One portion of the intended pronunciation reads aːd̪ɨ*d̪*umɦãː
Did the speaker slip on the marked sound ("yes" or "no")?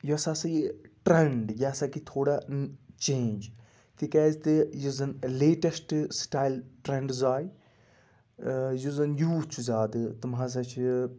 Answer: yes